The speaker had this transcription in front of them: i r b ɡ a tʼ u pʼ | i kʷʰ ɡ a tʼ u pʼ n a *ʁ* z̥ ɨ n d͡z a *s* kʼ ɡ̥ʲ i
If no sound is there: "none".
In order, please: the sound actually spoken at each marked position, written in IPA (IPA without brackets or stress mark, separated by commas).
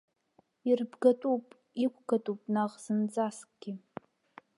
ʁ, s